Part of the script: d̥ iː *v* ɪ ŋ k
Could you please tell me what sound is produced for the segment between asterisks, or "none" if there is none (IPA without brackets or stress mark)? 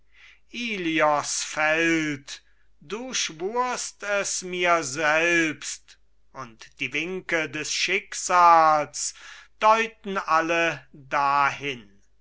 v